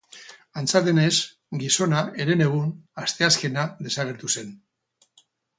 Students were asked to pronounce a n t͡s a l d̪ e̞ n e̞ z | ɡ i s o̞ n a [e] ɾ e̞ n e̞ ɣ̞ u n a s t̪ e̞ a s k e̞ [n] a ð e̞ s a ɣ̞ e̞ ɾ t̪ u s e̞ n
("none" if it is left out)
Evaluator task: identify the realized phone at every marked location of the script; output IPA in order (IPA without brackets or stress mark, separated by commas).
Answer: e, n